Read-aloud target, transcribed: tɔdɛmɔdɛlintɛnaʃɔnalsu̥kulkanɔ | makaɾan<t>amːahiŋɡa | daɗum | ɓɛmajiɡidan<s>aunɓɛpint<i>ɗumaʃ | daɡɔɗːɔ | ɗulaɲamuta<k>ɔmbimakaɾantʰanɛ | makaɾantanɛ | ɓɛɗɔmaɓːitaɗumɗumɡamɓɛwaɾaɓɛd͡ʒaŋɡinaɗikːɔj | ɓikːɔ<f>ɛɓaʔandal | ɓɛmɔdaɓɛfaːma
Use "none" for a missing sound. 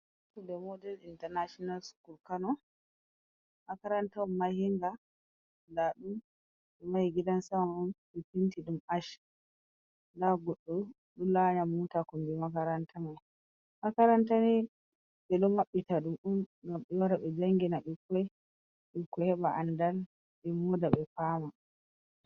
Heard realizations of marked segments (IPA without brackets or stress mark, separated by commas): t, s, i, k, h